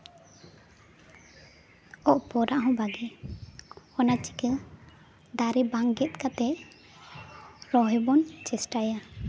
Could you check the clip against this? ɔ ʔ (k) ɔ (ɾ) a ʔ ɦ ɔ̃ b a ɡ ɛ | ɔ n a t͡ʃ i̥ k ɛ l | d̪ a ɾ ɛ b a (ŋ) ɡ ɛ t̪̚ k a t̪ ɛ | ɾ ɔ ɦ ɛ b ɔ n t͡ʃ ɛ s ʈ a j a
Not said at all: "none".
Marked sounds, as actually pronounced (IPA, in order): p, ɾ, ŋ

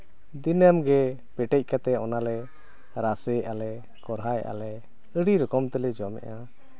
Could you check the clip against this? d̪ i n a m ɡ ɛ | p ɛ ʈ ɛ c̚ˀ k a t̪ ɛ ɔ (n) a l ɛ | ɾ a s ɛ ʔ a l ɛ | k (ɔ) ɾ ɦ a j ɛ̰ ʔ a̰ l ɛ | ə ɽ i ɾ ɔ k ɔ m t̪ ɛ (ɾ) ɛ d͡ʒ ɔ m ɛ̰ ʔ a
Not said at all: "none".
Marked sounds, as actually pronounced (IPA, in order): n, ɔ, l

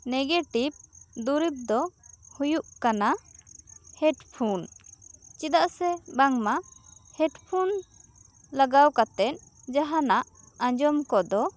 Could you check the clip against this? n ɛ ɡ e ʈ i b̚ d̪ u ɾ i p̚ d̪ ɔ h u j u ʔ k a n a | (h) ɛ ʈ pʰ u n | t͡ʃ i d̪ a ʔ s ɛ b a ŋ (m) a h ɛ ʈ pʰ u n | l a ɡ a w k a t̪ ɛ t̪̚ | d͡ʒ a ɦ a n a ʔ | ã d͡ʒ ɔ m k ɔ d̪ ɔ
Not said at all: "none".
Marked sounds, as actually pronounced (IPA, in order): h, m

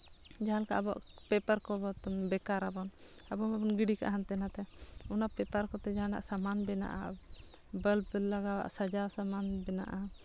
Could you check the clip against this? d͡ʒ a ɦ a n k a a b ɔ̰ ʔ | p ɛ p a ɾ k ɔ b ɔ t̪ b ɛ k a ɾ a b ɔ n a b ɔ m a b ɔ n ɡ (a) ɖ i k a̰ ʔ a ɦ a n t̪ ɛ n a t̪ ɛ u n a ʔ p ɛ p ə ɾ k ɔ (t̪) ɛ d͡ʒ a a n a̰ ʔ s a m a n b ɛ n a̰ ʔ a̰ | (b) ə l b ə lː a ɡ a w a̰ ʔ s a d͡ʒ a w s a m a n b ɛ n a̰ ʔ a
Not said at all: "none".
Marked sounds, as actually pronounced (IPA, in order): i, t̪, b

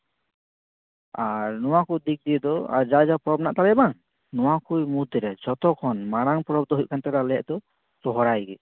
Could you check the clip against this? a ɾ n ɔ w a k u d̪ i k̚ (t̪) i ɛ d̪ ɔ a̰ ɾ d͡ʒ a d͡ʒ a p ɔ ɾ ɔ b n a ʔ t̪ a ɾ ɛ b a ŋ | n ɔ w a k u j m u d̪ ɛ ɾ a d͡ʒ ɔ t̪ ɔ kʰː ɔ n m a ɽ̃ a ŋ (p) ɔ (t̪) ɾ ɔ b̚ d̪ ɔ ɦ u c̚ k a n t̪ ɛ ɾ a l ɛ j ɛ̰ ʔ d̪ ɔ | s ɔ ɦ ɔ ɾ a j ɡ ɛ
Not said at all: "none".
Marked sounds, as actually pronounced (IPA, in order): d̪, p, none

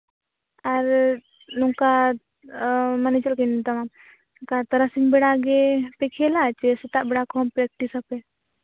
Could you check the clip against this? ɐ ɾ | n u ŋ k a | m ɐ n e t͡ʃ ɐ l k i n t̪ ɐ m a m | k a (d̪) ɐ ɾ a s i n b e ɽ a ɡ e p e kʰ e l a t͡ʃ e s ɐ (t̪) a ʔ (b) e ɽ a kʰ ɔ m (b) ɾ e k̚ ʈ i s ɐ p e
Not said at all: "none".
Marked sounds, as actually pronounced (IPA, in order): t̪, t̪, b, p

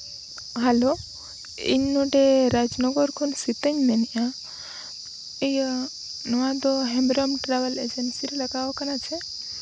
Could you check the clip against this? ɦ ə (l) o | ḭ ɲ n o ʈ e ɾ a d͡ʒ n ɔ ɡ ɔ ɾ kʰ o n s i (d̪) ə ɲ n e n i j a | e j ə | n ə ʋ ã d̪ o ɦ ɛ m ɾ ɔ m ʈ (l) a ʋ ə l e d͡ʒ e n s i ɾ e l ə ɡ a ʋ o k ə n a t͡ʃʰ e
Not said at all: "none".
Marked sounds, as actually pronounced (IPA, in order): l, t̪, ɾ

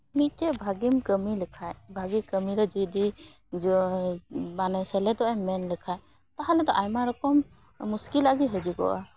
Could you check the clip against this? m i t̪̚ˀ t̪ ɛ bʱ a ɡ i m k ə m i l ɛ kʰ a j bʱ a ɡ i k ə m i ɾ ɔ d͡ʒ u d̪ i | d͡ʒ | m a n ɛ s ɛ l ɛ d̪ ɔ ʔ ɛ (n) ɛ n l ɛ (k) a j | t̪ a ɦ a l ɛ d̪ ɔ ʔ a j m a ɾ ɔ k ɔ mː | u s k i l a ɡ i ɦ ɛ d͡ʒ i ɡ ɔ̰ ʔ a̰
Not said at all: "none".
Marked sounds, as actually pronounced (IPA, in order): m, kʰ

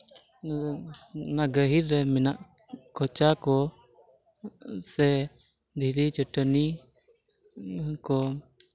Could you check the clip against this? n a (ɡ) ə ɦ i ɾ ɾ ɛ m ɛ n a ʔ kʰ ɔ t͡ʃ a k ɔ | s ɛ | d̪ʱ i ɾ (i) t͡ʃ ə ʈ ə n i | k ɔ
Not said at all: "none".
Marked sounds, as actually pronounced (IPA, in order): ɡ, i

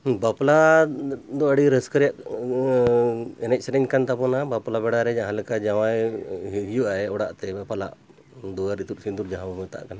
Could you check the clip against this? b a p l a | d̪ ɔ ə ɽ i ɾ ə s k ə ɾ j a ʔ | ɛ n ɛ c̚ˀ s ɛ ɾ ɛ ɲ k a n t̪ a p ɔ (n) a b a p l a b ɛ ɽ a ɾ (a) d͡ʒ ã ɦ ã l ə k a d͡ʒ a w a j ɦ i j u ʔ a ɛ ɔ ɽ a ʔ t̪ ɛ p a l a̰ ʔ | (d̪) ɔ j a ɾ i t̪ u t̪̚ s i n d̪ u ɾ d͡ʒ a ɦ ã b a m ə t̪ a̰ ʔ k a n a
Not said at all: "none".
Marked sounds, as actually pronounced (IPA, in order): n, ɛ, d̪

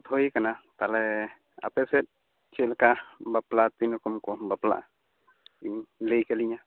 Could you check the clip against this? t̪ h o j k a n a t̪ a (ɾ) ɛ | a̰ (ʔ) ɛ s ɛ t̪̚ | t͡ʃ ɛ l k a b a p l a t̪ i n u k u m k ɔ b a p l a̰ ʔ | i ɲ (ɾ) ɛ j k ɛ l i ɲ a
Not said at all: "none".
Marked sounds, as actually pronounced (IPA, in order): l, p, l

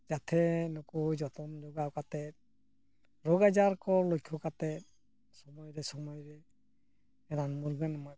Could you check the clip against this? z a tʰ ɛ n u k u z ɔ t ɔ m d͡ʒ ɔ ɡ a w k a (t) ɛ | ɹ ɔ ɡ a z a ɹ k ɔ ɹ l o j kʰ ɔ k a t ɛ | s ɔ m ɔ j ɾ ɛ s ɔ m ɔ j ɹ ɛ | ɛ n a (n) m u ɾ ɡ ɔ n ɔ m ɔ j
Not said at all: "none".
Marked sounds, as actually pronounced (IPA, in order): t, n

